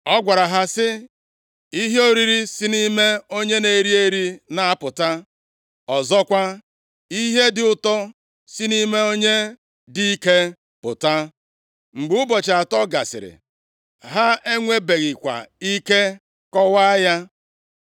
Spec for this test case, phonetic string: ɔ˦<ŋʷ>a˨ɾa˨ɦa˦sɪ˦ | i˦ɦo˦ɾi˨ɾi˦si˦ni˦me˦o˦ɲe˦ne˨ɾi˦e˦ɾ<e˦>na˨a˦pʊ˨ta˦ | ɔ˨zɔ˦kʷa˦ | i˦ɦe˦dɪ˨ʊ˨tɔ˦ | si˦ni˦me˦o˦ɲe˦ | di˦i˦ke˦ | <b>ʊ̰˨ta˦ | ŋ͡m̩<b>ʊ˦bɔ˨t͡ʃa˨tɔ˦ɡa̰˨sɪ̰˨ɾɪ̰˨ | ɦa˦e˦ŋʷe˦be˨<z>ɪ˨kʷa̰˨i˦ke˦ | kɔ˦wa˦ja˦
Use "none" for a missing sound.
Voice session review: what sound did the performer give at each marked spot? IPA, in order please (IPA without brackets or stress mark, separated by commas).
ɡʷ, i˦, p, ɡ͡b, ɣ